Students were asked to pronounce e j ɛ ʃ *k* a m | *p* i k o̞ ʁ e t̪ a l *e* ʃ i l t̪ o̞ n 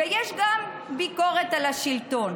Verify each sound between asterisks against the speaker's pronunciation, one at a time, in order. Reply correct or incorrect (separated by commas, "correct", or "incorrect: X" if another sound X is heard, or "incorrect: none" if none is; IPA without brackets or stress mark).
incorrect: ɡ, incorrect: b, incorrect: a